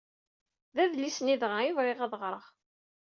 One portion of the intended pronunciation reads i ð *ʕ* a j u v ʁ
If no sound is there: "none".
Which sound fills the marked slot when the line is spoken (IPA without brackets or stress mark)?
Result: ʁ